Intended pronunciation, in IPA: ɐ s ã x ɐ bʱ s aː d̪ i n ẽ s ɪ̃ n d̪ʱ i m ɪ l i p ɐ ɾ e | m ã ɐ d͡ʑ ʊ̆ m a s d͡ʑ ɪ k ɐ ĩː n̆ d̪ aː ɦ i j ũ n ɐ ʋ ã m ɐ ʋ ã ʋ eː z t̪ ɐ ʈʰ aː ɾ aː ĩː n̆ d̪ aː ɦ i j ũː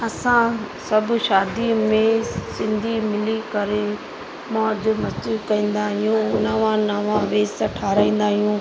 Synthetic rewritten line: ɐ s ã s ɐ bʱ ʃ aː d̪ i m ẽ s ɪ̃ n d̪ʱ i m ɪ l i k ɐ ɾ e | m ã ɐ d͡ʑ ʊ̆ m ɐ s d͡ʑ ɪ k ɐ ĩː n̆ d̪ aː ɦ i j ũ n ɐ ʋ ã n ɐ ʋ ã ʋ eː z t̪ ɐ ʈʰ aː ɾ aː ĩː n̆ d̪ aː ɦ i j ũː

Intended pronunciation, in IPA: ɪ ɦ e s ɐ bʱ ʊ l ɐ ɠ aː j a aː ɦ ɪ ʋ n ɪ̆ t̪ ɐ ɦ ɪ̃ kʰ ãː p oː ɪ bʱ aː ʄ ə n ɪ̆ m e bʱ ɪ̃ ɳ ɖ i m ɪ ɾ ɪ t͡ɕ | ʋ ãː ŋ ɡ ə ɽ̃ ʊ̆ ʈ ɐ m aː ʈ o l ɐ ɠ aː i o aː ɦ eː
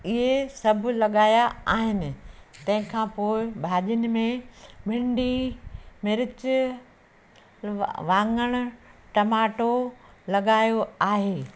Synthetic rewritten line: ɪ ɦ e s ɐ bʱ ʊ l ɐ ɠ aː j a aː ɦ ɪ n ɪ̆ t̪ ɐ̃ ɦ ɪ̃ kʰ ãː p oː ɪ bʱ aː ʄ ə n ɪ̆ m ẽ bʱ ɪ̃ ɳ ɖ i m ɪ ɾ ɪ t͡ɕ | ʋ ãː ŋ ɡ ə ɽ̃ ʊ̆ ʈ ɐ m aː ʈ o l ɐ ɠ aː j o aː ɦ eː

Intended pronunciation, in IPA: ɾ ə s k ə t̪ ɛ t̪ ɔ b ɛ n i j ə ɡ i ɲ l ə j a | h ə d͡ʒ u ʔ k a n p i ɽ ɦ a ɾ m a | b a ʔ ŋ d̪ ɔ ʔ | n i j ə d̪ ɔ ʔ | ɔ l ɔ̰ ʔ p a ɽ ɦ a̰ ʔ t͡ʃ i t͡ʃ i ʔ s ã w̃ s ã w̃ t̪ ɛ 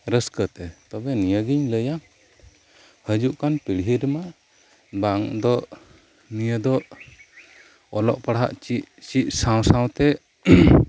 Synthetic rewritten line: ɾ ə s k ə t̪ ɛ t̪ ɔ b ɛ n i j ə ɡ i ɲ l ə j a | h ə d͡ʒ u ʔ k a n p i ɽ ɦ i ɾ m a | b a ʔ ŋ d̪ ɔ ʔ | n i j ə d̪ ɔ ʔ | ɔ l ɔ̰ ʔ p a ɽ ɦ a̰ ʔ t͡ʃ i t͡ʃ i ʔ s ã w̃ s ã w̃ t̪ ɛ

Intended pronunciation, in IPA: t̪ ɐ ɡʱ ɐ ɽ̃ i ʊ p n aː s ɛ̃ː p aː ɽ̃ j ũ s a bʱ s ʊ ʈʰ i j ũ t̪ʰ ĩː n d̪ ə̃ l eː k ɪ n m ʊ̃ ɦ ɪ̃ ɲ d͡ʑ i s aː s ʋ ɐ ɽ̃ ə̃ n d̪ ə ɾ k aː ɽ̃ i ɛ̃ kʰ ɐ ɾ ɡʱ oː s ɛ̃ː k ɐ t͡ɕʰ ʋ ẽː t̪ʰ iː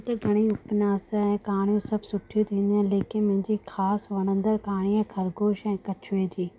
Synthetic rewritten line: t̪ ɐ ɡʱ ɐ ɽ̃ i ʊ p n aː s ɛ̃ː k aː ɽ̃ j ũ s ɐ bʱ s ʊ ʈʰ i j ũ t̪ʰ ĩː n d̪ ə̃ l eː k ɪ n m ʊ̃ ɦ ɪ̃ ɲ d͡ʑ i x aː s ʋ ɐ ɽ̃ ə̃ n d̪ ə ɾ k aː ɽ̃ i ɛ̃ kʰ ɐ ɾ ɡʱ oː ʃ ɛ̃ː k ɐ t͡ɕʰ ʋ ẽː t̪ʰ iː

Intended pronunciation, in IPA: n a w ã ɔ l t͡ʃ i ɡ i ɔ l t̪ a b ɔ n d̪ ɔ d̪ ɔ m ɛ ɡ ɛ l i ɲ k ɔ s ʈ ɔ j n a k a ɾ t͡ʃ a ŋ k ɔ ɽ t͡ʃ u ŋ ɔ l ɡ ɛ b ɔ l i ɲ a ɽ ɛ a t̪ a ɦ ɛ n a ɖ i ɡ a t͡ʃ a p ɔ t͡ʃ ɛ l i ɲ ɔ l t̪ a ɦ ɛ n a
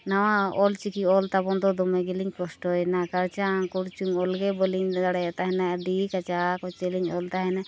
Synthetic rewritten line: n a w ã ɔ l t͡ʃ i k i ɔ l t̪ a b ɔ n d̪ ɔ d̪ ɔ m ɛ ɡ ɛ l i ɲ k ɔ s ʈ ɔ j n a k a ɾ t͡ʃ a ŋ k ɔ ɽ t͡ʃ u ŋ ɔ l ɡ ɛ b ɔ l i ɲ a ɽ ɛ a t̪ a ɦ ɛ n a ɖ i k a t͡ʃ a k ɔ t͡ʃ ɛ l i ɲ ɔ l t̪ a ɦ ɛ n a

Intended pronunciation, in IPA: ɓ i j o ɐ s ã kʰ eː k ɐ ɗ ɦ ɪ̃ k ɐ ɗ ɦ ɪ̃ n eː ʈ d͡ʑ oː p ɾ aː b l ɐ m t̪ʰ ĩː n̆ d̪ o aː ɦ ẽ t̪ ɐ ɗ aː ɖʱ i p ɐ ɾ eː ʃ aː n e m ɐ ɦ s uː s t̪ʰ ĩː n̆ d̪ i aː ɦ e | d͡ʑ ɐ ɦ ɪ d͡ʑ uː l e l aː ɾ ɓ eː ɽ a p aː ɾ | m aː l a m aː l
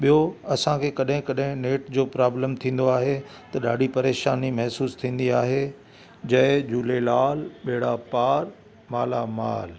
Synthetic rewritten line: ɓ i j o ɐ s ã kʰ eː k ɐ ɗ ɦ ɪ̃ k ɐ ɗ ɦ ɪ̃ n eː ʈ d͡ʑ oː p ɾ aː b l ə m t̪ʰ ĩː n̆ d̪ o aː ɦ e t̪ ɐ ɗ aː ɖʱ i p ɐ ɾ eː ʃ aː n i m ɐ ɦ s uː s t̪ʰ ĩː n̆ d̪ i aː ɦ e | d͡ʑ ɐ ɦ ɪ d͡ʑ uː l e l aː l ɓ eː ɽ a p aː ɾ | m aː l a m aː l

